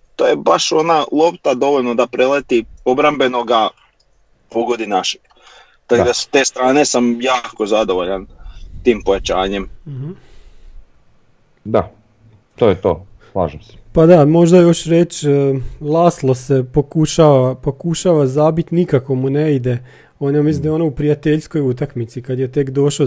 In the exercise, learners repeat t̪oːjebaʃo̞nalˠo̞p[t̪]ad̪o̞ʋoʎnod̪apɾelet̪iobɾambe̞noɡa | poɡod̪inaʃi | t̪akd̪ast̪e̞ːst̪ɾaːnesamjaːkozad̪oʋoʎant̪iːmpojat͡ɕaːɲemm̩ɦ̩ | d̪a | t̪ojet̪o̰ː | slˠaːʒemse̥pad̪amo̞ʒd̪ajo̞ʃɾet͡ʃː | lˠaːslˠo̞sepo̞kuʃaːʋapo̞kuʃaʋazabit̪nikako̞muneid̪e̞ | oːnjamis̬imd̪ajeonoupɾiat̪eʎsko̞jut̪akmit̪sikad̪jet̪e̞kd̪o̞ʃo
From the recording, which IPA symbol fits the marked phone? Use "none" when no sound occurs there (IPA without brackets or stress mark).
t̪